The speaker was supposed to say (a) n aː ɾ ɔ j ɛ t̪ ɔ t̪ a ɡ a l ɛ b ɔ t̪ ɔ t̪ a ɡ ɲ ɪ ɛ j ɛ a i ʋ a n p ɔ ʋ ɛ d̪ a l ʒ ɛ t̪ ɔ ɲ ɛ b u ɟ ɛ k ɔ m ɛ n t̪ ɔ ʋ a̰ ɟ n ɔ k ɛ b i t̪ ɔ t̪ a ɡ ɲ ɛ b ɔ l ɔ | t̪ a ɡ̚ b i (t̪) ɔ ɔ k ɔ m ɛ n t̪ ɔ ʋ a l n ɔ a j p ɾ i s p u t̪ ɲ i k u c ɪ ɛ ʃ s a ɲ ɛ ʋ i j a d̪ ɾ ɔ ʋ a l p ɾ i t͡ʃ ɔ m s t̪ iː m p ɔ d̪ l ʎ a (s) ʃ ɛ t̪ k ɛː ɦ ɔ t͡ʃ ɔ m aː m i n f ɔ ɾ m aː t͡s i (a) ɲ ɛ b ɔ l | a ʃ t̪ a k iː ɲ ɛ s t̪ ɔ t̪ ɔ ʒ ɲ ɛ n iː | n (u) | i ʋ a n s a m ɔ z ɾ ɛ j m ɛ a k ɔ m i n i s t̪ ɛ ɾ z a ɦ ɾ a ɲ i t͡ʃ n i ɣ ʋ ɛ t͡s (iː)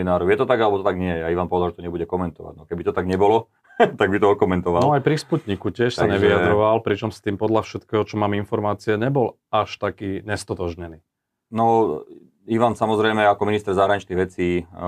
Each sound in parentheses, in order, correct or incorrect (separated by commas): incorrect, correct, incorrect, incorrect, incorrect, correct